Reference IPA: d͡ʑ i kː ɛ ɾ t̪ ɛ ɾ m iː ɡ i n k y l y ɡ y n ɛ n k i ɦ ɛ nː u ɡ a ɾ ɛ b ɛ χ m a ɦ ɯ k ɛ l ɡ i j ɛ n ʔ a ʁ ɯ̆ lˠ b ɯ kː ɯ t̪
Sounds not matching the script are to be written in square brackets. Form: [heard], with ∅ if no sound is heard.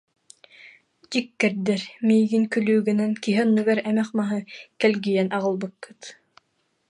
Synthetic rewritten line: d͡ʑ i kː ɛ ɾ [d̪] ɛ ɾ m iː ɡ i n k y l [yː] ɡ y n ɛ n k i ɦ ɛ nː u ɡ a ɾ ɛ [m] ɛ χ m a ɦ ɯ k ɛ l ɡ i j ɛ n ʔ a ʁ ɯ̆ lˠ b ɯ kː ɯ t̪